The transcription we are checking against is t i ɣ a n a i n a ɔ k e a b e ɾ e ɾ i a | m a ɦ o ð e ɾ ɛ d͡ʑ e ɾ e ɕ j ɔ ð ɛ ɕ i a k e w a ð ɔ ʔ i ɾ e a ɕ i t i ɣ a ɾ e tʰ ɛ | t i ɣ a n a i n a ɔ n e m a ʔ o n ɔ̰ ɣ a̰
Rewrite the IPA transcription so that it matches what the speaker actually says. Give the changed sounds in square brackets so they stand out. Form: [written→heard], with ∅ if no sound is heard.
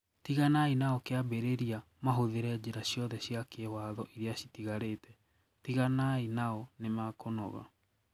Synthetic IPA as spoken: t i ɣ a n a i n a ɔ k e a b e ɾ e ɾ i a | m a ɦ o ð e ɾ ɛ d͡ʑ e ɾ [e→a] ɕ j ɔ ð ɛ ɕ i a k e w a ð ɔ ʔ i ɾ e a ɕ i t i ɣ a ɾ e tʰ ɛ | t i ɣ a n a i n a ɔ n e m a [ʔ→k] o n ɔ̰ ɣ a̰

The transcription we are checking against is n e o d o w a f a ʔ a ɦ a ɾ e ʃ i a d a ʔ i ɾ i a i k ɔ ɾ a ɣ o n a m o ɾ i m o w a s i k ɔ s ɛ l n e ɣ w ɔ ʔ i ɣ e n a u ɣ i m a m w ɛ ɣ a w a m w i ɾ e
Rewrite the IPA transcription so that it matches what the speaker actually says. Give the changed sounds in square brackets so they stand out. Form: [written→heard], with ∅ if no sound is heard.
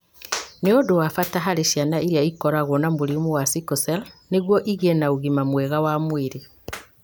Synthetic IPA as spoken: n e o d o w a f a [ʔ→t] a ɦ a ɾ e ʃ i a [d→n] a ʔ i ɾ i a i k ɔ ɾ a ɣ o n a m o ɾ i m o w a s i k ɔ s ɛ l n e ɣ w ɔ ʔ i ɣ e n a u ɣ i m a m w ɛ ɣ a w a m w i ɾ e

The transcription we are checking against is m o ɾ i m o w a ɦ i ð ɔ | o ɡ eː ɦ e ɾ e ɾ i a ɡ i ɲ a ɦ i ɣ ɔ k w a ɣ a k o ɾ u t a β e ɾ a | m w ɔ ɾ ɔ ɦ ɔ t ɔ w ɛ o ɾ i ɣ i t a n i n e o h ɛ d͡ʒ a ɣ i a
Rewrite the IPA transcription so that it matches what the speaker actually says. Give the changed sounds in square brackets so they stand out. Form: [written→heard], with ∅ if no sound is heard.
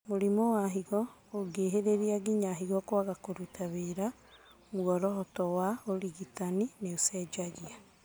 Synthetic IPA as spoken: m o ɾ i m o w a ɦ i [ð→ɣ] ɔ | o ɡ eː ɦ e ɾ e ɾ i a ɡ i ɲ a ɦ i ɣ ɔ k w a ɣ a k o ɾ u t a β e ɾ a | m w ɔ ɾ ɔ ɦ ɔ t ɔ w [ɛ→a] o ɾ i ɣ i t a n i n e o [h→s] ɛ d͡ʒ a ɣ i a

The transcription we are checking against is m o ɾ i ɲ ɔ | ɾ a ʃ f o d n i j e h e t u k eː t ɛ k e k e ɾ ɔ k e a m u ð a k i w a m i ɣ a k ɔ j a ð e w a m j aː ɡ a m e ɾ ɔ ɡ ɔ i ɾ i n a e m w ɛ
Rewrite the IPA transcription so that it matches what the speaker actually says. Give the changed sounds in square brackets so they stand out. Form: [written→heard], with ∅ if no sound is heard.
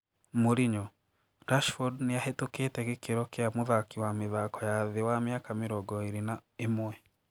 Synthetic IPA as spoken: m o ɾ i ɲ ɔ | ɾ a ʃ f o d n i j [e→a] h e t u k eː t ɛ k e k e ɾ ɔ k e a m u ð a k i w a m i [ɣ→ð] a k ɔ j a ð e w a m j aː [ɡ→k] a m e ɾ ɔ ɡ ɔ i ɾ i n a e m w ɛ

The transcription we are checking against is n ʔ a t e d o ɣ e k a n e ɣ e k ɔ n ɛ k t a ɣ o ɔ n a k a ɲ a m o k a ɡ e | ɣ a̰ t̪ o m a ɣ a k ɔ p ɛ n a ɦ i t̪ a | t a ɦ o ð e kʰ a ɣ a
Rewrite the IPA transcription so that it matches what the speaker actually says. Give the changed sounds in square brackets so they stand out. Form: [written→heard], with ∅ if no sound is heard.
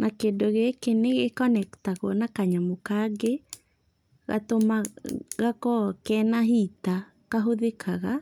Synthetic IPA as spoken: n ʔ a [t→k] e d o ɣ e k [a→e] n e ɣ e k ɔ n ɛ k t a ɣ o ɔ n a k a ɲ a m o k a ɡ e | ɣ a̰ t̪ o m a ɣ a k ɔ [p→k] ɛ n a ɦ i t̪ a | [t→k] a ɦ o ð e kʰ a ɣ a

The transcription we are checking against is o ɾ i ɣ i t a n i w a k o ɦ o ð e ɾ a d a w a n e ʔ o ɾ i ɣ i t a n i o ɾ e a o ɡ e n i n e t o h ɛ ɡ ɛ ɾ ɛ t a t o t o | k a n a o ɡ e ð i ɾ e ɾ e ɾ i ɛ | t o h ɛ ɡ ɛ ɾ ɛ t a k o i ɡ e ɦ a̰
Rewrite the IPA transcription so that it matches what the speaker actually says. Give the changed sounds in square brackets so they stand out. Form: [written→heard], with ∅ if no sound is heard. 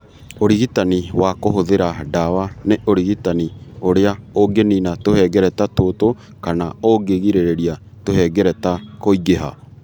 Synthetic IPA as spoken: o ɾ i ɣ i t a n i w a k o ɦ o ð e ɾ a d a w a n e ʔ o ɾ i ɣ i t a n i o ɾ e a o ɡ e n i n [e→a] t o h ɛ ɡ ɛ ɾ ɛ t a t o t o | k a n a o ɡ e [ð→ɣ] i ɾ e ɾ e ɾ i [ɛ→a] | t o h ɛ ɡ ɛ ɾ ɛ t a k o i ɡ e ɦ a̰

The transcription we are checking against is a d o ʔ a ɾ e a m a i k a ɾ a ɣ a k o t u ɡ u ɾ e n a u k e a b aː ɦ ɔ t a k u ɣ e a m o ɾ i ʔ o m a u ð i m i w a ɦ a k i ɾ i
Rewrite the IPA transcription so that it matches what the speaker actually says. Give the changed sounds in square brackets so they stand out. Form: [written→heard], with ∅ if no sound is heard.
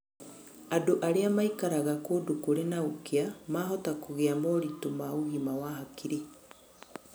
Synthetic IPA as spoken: a d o ʔ a ɾ e a m a i k a ɾ a ɣ a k o [t→d] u [ɡ→k] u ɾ e n a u k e a [b→m] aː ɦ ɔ t a k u ɣ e a m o ɾ i [ʔ→t] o m a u [ð→ɣ] i m [i→a] w a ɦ a k i ɾ i

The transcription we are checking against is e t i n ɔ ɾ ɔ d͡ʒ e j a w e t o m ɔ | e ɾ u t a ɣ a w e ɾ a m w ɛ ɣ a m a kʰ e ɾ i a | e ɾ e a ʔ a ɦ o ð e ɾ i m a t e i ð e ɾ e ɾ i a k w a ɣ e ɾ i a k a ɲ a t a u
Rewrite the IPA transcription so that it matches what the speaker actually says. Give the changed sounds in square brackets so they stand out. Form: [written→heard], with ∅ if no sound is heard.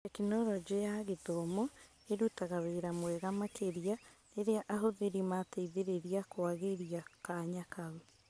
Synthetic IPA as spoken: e [t→k] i n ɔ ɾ ɔ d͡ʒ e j a [w→ɣ] e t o m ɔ | e ɾ u t a ɣ a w e ɾ a m w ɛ ɣ a m a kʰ e ɾ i a | e ɾ e a ʔ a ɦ o ð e ɾ i m a t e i ð e ɾ e ɾ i a k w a ɣ e ɾ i a k a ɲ a [t→k] a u

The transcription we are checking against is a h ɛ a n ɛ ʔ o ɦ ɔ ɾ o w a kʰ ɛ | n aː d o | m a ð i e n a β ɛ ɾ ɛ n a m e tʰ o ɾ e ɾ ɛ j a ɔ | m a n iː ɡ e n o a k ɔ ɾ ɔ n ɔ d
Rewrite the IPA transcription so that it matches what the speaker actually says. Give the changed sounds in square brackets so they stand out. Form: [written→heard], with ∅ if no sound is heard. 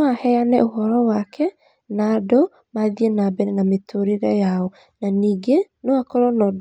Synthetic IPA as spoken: a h ɛ a n ɛ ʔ o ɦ ɔ ɾ [o→ɔ] w a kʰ ɛ | n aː d o | m a ð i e n a [β→b] ɛ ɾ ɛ n a m e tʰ o ɾ e ɾ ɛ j a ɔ | [m→n] a n iː ɡ e n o a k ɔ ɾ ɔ n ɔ d

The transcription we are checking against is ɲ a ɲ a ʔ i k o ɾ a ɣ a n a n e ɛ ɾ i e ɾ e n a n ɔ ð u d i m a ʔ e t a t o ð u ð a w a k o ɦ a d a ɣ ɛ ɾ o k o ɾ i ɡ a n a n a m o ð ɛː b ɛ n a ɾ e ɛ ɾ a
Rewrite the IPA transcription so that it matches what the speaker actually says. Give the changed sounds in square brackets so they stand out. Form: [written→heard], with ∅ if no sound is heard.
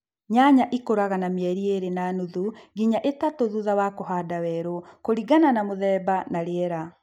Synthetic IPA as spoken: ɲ a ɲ a ʔ i k o ɾ a ɣ a n a [n→m] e ɛ ɾ i e ɾ e n a n [ɔ→u] ð u [d→ɡ] i [m→ɲ] a ʔ e t a t o ð u ð a w a k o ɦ a d a [ɣ→w] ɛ ɾ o k o ɾ i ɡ a n a n a m o ð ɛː b [ɛ→a] n a ɾ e ɛ ɾ a

